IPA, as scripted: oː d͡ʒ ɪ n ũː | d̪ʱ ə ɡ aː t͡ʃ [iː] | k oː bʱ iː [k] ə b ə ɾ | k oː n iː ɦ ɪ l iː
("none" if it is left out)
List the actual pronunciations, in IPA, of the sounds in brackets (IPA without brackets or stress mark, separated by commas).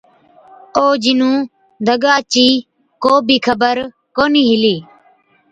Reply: iː, kʰ